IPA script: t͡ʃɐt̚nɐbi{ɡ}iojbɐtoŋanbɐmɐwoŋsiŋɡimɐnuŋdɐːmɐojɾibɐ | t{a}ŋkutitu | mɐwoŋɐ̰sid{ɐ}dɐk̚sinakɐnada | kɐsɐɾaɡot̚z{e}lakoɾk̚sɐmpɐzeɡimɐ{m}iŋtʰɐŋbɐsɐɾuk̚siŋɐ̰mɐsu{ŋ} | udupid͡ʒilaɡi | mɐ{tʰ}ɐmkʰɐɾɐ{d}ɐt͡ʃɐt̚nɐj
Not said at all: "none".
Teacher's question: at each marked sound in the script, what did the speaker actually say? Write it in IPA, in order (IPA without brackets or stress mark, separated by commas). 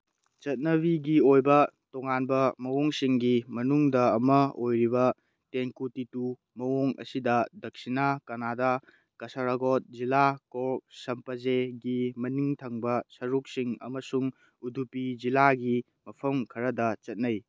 ɡ, e, ɐ, i, n, ŋ, pʰ, d